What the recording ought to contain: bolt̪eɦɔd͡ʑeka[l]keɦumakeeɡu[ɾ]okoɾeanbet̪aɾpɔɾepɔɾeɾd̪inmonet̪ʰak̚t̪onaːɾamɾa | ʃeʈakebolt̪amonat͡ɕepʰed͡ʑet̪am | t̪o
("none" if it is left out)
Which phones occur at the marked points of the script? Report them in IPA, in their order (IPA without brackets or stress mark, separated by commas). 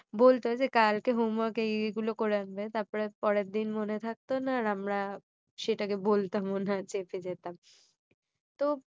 l, l